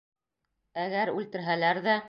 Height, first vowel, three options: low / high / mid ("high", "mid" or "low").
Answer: low